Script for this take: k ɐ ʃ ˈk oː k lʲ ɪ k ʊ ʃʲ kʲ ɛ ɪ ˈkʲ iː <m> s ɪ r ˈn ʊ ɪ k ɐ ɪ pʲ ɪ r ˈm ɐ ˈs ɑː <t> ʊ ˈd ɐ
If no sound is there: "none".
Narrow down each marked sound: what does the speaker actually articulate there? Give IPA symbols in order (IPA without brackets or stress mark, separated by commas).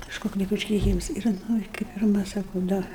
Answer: m, k